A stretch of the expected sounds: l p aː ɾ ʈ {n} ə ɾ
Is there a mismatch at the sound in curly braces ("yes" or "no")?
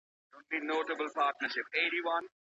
no